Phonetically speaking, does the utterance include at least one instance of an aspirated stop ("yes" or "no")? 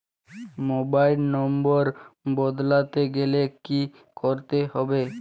no